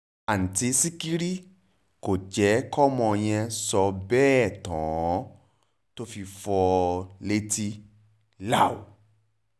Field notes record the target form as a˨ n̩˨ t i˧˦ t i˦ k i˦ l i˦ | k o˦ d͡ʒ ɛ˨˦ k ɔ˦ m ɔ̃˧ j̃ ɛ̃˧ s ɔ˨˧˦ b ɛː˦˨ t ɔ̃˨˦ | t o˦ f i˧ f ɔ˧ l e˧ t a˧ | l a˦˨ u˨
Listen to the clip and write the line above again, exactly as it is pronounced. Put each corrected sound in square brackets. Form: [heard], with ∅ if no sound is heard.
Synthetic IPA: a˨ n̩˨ t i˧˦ [s] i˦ k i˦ [ɾ] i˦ | k [o˨] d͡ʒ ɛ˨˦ k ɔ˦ m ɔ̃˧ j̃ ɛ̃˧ s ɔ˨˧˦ b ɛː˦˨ t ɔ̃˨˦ | t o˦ f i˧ f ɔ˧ l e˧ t [i˧] | l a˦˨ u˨